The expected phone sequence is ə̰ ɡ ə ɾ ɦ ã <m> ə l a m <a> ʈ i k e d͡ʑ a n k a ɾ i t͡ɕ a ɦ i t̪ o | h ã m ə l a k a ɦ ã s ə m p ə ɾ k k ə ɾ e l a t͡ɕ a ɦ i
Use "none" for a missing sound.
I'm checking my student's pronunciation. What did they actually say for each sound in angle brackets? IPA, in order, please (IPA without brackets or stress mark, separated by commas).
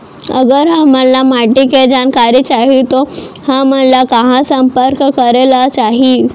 m, a